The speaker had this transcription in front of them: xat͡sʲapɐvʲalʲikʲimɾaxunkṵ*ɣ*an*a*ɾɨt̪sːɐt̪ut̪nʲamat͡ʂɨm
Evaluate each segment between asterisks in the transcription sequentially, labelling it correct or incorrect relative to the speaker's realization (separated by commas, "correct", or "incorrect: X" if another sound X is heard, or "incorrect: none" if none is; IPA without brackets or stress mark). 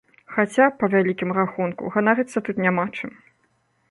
correct, correct